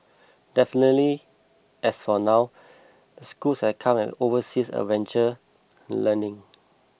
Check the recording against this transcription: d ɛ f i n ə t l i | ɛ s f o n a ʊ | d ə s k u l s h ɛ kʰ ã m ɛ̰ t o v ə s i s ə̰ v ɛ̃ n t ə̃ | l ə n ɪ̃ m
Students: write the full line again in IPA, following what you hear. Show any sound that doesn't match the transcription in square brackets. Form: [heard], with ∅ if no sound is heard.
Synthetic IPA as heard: d ɛ f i n ə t l i | ɛ s f [ɔ] n a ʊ | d ə s k u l s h ɛ kʰ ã m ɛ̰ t o v ə s i s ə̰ v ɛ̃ n [t͡ʃ] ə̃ | l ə n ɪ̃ [ŋ]